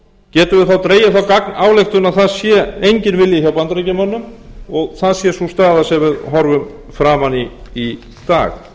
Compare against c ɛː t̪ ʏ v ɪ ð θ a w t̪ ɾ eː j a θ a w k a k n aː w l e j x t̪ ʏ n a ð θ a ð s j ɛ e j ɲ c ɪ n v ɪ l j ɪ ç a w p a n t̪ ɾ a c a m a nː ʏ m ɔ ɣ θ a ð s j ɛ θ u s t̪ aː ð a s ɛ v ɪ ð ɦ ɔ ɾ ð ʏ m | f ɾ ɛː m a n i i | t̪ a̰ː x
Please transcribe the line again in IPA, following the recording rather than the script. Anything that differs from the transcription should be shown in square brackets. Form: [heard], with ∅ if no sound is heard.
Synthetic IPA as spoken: c ɛː t̪ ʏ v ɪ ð θ a w t̪ ɾ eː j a θ a w k a k n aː w l e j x t̪ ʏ n a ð θ a ð s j ɛ e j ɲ c ɪ n v ɪ l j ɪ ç a w p a n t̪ ɾ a c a m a nː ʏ m ɔ ɣ θ a ð s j ɛ [s] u s t̪ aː ð a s ɛ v ɪ ð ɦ ɔ ɾ [v] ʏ m | f ɾ [aː] m a n i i | t̪ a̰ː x